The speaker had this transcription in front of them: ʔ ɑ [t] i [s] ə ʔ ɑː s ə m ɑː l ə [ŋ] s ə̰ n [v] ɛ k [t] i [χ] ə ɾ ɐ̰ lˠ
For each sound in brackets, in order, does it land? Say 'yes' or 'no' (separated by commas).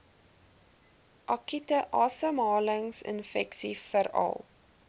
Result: no, no, yes, no, no, no